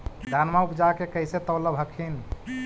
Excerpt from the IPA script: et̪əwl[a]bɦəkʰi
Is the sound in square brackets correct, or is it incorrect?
incorrect